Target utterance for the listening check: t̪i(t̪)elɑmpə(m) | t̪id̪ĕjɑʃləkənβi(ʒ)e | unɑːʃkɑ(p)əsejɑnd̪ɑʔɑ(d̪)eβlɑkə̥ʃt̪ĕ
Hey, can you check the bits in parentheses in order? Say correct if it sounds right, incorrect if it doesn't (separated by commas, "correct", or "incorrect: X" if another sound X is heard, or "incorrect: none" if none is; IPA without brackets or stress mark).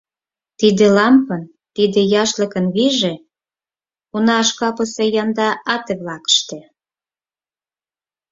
incorrect: d̪, incorrect: n, correct, correct, incorrect: t̪